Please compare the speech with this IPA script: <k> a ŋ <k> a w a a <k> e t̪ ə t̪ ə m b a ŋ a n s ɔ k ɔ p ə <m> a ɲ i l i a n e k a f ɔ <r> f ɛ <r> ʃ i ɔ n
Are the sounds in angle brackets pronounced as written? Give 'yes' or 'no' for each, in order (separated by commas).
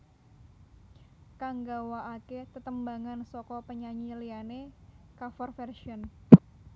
yes, no, yes, no, yes, yes